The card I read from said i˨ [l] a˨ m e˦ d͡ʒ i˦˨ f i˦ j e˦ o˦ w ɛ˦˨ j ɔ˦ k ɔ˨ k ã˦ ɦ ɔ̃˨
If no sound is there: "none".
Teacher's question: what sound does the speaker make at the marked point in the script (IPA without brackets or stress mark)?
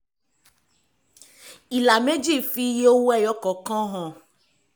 l